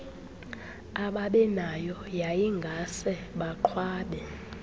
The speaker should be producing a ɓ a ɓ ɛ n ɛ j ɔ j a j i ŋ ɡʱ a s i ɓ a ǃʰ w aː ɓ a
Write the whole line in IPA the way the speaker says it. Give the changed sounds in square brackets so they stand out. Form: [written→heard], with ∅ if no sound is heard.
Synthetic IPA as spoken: a ɓ a ɓ ɛ n [ɛ→a] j ɔ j a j i ŋ ɡʱ a s [i→ɛ] ɓ a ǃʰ w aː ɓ [a→ɛ]